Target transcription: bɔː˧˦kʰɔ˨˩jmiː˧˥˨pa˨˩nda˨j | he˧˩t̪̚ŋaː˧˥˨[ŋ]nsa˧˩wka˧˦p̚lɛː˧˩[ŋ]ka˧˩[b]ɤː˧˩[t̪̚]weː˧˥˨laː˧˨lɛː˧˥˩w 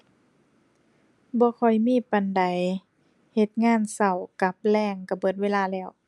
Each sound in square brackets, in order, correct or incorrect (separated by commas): incorrect, correct, correct, correct